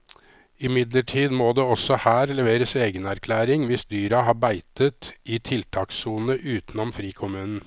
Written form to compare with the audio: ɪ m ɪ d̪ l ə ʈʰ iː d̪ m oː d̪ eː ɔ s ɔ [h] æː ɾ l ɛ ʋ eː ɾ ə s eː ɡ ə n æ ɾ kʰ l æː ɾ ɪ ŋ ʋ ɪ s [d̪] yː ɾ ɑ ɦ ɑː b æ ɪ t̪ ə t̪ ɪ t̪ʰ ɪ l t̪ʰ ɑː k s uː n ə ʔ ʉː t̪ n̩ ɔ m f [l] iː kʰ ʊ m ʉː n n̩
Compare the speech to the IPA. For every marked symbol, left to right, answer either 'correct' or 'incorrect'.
correct, correct, incorrect

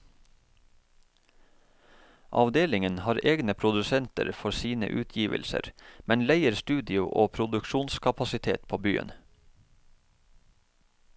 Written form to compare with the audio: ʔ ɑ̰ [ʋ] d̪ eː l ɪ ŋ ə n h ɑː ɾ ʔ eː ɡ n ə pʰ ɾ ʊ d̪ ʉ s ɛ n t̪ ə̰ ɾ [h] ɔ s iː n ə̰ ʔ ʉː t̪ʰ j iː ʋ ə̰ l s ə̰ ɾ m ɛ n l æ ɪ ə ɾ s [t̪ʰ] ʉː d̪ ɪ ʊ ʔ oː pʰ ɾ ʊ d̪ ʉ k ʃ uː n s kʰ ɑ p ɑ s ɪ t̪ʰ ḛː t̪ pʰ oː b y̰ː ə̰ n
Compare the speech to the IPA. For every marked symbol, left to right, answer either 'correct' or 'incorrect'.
correct, incorrect, incorrect

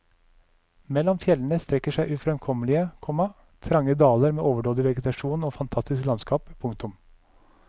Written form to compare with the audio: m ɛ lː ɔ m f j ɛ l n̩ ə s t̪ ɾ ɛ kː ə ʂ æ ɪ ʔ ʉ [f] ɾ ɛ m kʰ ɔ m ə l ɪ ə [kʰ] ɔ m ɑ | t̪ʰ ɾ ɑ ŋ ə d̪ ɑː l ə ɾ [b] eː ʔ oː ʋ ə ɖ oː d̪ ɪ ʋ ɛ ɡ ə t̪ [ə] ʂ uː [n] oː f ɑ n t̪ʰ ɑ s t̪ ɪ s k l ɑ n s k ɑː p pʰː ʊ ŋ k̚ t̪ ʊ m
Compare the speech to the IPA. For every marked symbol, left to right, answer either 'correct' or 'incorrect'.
correct, correct, incorrect, incorrect, correct

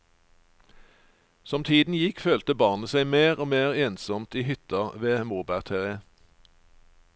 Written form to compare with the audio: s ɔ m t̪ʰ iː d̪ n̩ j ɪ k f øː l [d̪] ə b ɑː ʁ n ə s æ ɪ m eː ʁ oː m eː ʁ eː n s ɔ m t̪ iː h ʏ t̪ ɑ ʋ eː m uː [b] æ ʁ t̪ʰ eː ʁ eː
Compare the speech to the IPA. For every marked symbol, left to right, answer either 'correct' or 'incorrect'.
incorrect, correct

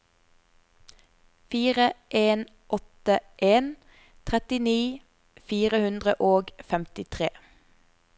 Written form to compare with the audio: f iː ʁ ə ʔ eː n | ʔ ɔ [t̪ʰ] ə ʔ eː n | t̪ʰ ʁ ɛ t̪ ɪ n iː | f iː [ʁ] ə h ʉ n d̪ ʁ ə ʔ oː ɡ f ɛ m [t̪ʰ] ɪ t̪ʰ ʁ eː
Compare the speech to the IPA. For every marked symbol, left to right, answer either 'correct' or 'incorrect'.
incorrect, correct, incorrect

